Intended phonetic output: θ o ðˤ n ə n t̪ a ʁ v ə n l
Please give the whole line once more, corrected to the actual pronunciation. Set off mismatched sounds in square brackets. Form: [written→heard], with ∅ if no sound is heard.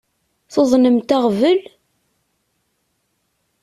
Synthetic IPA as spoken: θ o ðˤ n ə [n→m] t̪ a ʁ v ə [n→∅] l